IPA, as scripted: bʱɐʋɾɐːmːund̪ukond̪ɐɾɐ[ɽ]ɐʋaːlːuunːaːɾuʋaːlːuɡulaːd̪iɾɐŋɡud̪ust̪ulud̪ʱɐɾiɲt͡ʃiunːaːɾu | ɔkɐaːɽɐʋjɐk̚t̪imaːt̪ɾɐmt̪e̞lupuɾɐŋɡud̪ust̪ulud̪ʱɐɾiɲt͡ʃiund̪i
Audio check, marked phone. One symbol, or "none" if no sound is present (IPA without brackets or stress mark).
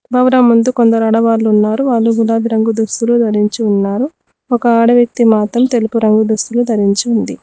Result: ɽ